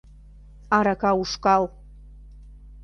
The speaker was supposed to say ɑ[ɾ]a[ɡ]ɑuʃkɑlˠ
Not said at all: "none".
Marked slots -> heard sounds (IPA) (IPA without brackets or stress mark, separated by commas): ɾ, k